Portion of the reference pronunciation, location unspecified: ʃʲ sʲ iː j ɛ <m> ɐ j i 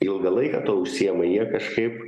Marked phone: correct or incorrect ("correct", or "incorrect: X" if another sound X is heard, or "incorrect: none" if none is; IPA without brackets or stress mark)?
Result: correct